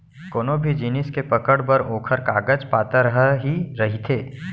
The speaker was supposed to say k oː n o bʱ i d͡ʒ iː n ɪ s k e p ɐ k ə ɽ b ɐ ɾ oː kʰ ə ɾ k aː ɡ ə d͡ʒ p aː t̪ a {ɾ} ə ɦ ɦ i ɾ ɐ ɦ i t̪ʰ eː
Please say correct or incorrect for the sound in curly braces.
correct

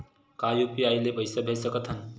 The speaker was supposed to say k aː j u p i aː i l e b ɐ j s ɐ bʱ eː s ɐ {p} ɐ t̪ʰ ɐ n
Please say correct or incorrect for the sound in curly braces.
incorrect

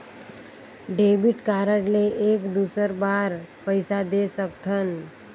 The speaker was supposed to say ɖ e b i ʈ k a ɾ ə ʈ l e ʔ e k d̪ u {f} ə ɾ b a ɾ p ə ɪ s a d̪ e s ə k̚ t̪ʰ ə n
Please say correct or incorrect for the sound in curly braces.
incorrect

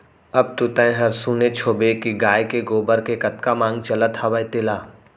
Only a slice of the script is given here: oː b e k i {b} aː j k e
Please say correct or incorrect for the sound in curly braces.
incorrect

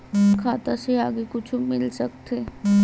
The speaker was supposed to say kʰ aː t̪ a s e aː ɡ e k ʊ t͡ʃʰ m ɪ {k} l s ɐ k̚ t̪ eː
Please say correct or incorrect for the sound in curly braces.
incorrect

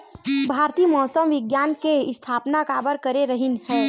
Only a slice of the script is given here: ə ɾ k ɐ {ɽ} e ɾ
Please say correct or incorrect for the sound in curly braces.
incorrect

